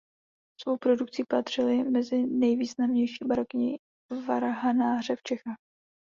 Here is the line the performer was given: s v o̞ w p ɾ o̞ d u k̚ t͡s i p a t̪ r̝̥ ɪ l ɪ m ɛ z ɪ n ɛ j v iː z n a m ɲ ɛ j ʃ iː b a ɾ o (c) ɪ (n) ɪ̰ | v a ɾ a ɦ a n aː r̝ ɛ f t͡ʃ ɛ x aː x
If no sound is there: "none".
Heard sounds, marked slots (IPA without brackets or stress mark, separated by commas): k, ɲ